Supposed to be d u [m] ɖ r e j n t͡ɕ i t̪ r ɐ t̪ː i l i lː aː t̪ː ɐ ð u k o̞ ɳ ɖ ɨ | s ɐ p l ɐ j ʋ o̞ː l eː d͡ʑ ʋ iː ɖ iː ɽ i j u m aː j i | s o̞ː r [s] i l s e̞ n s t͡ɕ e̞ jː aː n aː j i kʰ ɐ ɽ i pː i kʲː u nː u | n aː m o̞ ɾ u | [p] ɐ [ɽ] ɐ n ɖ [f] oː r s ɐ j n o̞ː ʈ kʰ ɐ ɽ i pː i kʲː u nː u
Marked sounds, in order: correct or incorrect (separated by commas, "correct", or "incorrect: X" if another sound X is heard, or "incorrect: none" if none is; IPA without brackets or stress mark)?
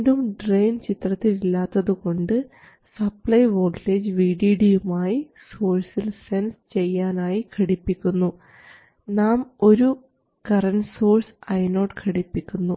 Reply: correct, correct, incorrect: k, incorrect: r, incorrect: s